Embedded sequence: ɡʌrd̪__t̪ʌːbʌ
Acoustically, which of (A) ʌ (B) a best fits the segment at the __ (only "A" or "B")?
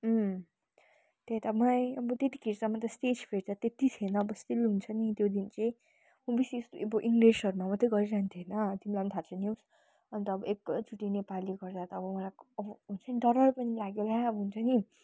B